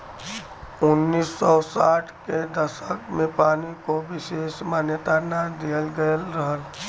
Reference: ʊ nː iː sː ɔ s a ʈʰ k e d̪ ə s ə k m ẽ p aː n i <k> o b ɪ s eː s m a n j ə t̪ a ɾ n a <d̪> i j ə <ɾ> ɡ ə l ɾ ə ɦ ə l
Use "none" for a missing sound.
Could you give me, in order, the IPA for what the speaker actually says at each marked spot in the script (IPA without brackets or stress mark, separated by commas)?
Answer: k, d̪, l